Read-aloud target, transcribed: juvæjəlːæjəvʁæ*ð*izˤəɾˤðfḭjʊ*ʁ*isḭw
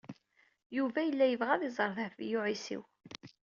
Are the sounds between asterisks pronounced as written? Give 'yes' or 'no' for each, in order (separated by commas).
yes, no